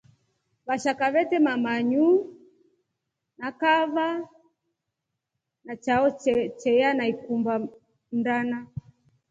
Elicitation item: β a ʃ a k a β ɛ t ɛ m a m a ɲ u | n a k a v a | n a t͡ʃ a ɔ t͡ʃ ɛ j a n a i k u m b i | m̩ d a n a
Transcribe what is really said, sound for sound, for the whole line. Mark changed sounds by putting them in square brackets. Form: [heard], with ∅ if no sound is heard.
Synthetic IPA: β a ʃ a k a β ɛ t ɛ m a m a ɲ u | n a k a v a | n a t͡ʃ a ɔ t͡ʃ ɛ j a n a i k u m b [a] | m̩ d a n a